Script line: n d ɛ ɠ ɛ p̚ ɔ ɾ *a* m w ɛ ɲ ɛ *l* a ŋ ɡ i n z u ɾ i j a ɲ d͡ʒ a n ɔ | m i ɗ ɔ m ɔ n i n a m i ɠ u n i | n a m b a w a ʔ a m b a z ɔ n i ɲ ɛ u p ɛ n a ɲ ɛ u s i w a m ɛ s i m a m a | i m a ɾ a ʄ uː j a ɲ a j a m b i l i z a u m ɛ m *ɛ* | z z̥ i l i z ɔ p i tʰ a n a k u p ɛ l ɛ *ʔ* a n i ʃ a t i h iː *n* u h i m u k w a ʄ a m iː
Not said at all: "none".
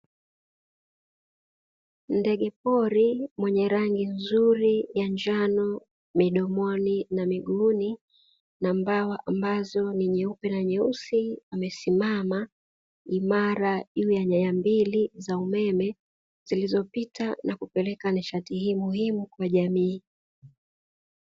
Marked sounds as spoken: i, ɾ, ɛ, k, m

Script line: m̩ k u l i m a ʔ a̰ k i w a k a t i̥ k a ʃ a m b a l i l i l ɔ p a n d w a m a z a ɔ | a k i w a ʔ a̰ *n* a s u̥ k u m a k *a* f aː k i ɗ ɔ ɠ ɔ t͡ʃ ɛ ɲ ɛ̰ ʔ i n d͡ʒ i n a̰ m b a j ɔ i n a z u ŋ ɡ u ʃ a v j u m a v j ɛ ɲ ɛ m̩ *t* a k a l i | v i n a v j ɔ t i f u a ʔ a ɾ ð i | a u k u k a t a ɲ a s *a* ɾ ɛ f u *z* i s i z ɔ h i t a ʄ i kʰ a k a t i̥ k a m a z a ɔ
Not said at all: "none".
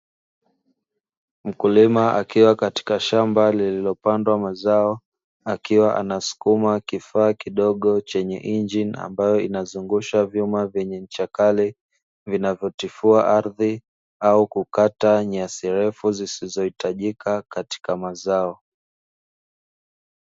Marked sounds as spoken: n, i, t͡ʃ, i, z

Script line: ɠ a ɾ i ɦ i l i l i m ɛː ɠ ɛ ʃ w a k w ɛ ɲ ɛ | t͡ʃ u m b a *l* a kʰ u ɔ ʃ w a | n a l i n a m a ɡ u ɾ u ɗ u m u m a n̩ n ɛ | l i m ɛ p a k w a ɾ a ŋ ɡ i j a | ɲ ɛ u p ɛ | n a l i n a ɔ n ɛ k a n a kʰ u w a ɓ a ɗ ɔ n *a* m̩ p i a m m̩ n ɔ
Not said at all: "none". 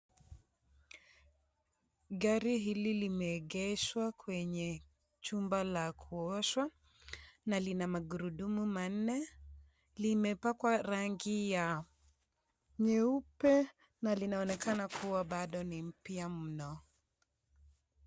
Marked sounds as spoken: l, i

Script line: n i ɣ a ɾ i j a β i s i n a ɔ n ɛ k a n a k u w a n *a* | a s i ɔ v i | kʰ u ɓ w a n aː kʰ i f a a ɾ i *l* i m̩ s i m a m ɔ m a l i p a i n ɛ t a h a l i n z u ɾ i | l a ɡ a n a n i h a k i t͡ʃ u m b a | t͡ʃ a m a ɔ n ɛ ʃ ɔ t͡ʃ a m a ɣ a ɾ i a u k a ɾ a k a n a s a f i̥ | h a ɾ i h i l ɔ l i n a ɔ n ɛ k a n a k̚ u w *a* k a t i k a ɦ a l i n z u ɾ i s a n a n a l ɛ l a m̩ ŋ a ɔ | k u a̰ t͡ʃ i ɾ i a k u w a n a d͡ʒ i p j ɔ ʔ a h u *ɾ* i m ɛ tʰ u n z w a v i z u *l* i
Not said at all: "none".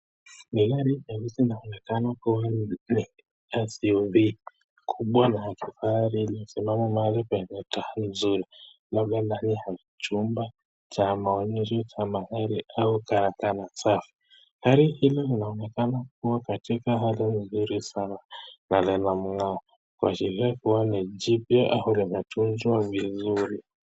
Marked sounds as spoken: i, l, a, l, ɾ

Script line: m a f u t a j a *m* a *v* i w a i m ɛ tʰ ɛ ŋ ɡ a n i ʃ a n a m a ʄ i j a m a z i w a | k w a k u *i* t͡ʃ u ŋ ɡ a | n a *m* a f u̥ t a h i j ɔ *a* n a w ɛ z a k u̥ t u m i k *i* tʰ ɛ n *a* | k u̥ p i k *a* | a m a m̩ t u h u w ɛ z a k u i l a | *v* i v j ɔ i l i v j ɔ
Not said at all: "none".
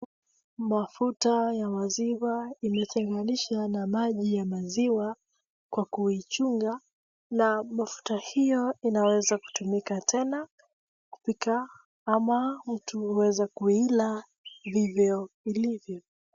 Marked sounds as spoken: m, z, i, m, i, a, a, a, v

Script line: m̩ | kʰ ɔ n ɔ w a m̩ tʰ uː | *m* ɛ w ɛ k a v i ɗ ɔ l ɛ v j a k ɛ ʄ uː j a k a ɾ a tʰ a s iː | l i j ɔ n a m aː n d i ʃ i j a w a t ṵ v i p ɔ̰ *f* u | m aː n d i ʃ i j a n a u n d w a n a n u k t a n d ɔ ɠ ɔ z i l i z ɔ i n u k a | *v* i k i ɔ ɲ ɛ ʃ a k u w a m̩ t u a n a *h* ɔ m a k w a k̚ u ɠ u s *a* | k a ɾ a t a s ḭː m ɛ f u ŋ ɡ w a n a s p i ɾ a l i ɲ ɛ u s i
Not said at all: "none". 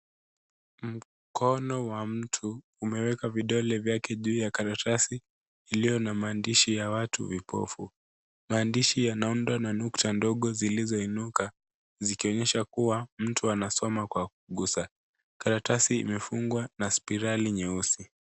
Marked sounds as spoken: m, f, z, s, a

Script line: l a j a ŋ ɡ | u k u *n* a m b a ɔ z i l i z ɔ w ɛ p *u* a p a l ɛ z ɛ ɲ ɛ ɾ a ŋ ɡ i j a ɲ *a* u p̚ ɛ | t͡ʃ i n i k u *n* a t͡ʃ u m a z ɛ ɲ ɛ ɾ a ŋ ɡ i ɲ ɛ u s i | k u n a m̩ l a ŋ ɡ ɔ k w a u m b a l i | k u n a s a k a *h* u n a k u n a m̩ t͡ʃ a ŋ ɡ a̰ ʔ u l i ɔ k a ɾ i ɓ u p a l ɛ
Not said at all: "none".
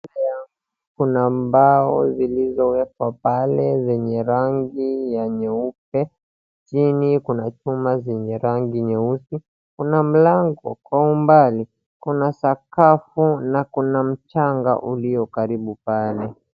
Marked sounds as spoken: n, w, ɛ, n, f

